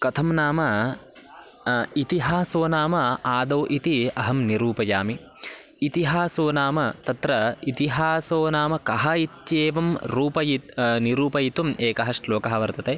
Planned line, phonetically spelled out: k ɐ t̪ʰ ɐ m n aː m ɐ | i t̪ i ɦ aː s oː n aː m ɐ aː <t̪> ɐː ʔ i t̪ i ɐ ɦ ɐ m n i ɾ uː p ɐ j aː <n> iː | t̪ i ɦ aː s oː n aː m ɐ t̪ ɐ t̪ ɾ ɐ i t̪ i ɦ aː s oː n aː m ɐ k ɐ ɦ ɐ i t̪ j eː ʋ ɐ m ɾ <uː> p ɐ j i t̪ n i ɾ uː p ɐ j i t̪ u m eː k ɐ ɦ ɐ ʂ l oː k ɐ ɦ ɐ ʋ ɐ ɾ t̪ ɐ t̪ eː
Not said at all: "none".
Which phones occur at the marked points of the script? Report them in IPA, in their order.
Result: d̪, m, uː

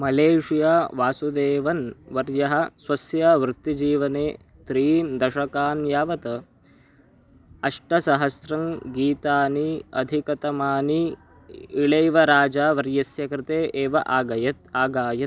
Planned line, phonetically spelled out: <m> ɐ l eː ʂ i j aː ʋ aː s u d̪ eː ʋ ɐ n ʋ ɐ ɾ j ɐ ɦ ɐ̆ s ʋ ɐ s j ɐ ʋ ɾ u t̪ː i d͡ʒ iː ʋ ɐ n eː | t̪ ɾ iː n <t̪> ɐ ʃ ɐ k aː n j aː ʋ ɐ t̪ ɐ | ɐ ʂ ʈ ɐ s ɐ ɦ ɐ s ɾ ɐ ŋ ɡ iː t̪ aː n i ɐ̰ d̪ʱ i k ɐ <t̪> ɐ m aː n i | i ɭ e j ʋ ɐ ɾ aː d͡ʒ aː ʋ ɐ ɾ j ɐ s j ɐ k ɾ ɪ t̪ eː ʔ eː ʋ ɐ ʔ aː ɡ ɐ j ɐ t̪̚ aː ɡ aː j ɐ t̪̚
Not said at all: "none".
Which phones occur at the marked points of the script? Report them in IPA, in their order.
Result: m, d̪, t̪

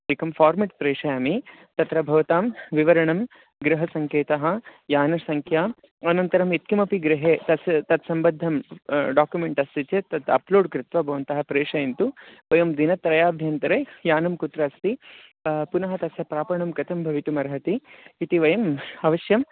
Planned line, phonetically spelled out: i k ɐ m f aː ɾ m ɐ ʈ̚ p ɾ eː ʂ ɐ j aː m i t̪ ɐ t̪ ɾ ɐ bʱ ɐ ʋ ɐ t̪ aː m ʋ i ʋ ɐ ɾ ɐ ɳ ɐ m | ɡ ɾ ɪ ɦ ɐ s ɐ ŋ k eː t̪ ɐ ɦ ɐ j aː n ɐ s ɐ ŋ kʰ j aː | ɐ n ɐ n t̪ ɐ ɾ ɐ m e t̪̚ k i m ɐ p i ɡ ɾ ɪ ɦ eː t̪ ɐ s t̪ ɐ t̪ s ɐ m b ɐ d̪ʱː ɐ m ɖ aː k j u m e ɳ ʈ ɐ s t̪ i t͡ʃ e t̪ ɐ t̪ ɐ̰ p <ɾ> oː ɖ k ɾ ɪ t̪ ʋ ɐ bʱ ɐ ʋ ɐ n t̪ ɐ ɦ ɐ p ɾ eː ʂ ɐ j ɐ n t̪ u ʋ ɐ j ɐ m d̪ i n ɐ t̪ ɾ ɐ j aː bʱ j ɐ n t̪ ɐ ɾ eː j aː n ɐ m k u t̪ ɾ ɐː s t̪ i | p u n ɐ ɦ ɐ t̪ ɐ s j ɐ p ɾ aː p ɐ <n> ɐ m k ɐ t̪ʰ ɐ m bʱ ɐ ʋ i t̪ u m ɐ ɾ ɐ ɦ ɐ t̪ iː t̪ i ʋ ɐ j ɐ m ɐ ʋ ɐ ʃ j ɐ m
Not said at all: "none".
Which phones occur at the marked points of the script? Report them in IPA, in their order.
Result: l, ɳ

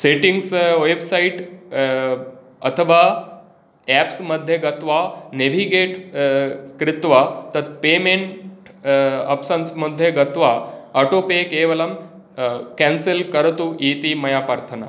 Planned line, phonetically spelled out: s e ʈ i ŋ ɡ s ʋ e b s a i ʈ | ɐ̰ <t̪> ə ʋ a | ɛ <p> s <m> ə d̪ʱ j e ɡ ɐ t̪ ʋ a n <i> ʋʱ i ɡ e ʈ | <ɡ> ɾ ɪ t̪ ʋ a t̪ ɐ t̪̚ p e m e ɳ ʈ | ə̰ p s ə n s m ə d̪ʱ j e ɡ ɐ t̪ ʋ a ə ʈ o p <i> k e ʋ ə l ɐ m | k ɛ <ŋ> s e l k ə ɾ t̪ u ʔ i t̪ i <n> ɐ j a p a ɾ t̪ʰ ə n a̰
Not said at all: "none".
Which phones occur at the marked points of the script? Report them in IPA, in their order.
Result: t̪ʰ, p, m, e, k, e, n, m

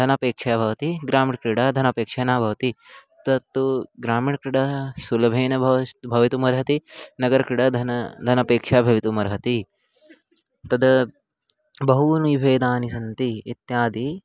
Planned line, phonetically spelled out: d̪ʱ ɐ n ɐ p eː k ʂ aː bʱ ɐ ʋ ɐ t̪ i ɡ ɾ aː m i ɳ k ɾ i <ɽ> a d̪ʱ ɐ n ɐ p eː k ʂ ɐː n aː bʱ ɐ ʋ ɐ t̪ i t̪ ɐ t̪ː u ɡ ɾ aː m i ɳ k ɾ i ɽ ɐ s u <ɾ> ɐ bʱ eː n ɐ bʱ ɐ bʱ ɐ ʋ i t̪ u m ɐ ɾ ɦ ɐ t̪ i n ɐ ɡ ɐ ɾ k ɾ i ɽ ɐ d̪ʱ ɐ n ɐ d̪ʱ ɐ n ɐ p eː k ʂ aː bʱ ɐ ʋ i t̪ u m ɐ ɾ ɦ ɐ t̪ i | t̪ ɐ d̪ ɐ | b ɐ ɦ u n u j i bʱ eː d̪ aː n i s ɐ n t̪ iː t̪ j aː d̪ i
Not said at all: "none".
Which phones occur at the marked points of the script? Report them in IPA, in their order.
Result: ɽ, l

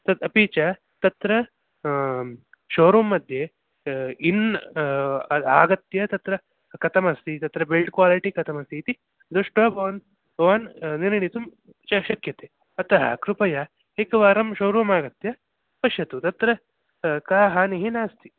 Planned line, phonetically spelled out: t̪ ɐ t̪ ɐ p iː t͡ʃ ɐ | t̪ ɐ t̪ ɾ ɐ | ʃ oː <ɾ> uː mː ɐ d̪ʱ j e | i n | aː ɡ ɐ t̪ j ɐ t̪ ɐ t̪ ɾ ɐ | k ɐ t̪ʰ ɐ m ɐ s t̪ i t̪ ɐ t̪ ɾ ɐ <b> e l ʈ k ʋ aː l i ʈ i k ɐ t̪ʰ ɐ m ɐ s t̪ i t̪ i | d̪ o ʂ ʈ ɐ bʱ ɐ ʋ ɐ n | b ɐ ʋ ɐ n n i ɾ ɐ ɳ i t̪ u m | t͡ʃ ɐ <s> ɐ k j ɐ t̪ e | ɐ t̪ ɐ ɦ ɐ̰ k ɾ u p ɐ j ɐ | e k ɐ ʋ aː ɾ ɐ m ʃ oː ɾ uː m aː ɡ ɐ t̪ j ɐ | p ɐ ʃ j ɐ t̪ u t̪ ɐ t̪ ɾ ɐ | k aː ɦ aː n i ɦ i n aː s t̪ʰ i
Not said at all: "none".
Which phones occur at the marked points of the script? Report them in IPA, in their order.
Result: ɾ, b, ʃ

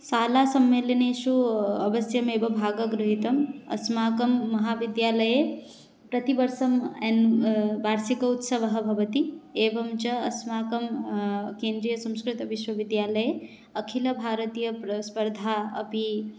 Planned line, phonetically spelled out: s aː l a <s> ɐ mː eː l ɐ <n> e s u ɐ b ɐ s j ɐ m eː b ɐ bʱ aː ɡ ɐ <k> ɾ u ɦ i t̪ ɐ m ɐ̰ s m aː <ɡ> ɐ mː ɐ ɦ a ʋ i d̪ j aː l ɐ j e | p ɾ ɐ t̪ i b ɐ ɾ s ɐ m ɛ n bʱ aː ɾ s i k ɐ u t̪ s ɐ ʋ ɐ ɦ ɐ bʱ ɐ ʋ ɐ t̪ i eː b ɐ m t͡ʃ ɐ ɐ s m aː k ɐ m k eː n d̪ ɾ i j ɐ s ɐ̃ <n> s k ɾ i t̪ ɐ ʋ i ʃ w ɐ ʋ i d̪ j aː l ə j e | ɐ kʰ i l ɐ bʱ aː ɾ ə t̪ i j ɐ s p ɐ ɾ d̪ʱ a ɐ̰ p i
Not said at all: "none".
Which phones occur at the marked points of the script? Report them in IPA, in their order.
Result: s, n, ɡ, k, m

